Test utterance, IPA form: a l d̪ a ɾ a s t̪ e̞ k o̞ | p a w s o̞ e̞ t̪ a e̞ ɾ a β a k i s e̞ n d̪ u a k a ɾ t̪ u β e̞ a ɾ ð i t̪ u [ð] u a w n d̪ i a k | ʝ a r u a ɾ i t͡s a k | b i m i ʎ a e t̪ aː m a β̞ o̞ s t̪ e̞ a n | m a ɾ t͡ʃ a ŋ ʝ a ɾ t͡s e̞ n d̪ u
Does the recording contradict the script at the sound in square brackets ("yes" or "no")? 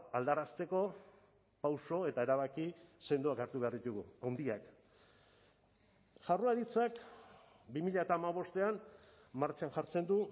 yes